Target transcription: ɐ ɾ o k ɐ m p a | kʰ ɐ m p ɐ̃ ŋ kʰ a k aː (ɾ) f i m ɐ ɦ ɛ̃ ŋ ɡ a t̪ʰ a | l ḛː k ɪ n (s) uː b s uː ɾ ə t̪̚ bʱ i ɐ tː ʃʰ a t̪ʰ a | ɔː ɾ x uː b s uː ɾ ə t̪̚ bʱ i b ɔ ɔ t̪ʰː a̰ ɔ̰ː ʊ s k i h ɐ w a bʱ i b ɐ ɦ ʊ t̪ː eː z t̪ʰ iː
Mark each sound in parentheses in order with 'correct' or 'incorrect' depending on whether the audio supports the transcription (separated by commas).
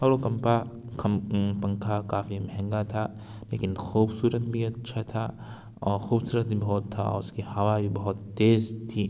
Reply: incorrect, incorrect